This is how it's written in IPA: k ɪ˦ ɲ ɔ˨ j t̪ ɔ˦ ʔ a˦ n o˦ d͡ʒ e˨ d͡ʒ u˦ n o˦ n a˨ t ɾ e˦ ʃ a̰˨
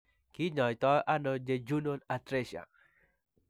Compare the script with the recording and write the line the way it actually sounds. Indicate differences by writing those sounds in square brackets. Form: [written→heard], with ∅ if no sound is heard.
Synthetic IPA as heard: k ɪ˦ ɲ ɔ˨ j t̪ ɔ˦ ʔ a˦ n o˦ d͡ʒ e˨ d͡ʒ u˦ n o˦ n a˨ t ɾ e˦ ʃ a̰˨